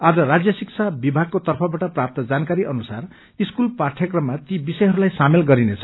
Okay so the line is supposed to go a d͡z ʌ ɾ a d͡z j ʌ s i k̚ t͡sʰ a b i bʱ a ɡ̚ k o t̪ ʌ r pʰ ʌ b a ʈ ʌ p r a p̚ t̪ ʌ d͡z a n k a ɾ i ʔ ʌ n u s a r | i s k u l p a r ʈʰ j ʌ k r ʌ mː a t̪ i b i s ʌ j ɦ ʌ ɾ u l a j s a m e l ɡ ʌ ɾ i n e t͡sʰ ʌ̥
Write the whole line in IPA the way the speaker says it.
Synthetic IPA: a d͡z ʌ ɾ a d͡z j ʌ s i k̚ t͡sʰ a b i bʱ a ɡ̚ k o t̪ ʌ r pʰ ʌ b a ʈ ʌ p r a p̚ t̪ ʌ d͡z a n k a ɾ i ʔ ʌ n u s a r | i s k u l p a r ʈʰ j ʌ k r ʌ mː a t̪ i b i s ʌ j ɦ ʌ ɾ u l a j s a m e l ɡ ʌ ɾ i n e t͡sʰ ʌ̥